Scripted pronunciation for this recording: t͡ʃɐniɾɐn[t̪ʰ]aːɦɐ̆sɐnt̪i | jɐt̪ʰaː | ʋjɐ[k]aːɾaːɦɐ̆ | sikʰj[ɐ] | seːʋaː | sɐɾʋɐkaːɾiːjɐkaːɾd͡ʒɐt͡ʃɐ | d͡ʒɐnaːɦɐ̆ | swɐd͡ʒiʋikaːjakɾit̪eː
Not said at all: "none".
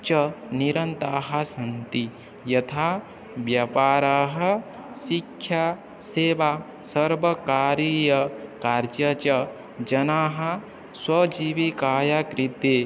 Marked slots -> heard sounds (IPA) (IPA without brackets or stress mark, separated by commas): t̪, p, a